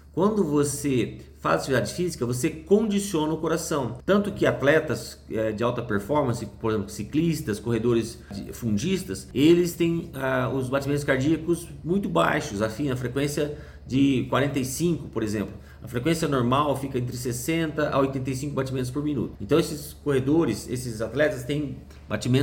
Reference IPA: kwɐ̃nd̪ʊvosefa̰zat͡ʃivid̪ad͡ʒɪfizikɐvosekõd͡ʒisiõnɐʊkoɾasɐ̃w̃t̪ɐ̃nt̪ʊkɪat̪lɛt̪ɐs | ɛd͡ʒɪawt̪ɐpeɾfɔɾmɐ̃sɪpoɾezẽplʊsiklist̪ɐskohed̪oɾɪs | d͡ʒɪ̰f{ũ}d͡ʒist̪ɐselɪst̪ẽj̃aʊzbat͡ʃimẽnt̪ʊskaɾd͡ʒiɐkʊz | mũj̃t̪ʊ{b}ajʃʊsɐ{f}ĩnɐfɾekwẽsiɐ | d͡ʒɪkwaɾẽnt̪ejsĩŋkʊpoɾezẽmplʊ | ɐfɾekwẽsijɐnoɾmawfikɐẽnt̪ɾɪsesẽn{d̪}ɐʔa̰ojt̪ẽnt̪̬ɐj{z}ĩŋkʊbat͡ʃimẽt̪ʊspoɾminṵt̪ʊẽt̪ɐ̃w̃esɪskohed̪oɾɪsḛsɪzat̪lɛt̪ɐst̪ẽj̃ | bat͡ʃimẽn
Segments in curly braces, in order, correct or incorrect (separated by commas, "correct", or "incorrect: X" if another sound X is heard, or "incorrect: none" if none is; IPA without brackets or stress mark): correct, correct, correct, incorrect: t̪, incorrect: s